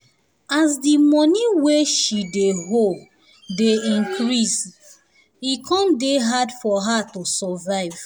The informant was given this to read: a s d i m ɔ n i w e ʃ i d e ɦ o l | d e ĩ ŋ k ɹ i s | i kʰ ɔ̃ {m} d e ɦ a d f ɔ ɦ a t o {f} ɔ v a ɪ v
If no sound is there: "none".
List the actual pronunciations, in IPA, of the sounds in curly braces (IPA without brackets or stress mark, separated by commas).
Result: n, s